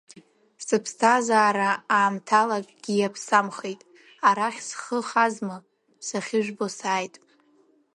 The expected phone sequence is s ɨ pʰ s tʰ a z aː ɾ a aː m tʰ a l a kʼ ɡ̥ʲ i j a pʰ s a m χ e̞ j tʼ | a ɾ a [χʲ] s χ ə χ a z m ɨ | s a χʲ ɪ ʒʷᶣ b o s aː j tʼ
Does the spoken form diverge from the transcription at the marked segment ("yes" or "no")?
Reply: no